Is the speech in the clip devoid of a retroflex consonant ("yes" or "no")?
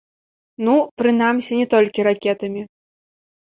yes